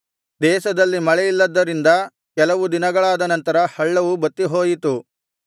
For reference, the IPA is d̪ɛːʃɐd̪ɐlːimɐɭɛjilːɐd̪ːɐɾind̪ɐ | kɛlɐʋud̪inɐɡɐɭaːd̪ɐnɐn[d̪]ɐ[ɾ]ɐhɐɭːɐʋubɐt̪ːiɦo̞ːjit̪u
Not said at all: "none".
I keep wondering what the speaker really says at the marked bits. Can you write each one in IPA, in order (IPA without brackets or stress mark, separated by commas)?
t̪, ɾ